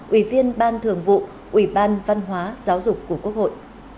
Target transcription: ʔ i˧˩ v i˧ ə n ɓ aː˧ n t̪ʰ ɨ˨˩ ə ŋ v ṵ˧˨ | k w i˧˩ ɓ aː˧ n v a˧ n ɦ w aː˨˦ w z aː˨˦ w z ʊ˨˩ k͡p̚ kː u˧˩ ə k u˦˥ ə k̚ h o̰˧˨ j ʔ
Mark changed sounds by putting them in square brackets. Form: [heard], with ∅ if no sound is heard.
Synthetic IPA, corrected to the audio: ʔ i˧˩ v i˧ ə n ɓ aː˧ n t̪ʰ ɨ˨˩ ə ŋ v ṵ˧˨ | [ʔ] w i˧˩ ɓ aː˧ n v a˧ n ɦ w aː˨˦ [∅] z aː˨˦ w z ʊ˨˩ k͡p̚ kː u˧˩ ə k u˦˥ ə k̚ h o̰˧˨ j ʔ